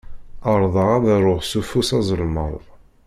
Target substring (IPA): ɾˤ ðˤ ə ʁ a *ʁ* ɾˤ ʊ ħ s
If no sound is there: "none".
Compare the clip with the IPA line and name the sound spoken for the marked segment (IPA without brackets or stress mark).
ð